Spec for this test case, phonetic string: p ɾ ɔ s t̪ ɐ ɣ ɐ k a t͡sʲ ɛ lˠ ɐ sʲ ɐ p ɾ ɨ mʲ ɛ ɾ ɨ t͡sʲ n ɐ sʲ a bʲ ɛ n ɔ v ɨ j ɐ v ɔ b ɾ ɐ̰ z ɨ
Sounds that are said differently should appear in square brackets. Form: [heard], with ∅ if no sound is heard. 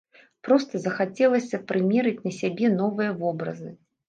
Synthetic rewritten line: p ɾ ɔ s t̪ ɐ [z] ɐ [x] a t͡sʲ ɛ lˠ ɐ sʲ ɐ p ɾ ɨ mʲ ɛ ɾ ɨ t͡sʲ n ɐ sʲ a bʲ ɛ n ɔ v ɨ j ɐ v ɔ b ɾ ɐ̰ z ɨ